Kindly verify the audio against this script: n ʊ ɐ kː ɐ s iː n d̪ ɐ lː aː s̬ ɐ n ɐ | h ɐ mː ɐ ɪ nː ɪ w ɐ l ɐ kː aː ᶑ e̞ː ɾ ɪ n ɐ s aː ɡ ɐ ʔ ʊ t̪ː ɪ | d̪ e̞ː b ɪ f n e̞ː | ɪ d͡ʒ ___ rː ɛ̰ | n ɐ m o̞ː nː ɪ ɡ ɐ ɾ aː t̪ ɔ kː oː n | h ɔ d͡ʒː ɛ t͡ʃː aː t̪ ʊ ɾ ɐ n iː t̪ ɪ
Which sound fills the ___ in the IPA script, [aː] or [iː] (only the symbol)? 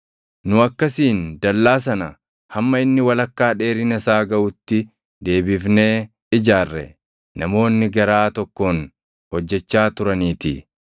aː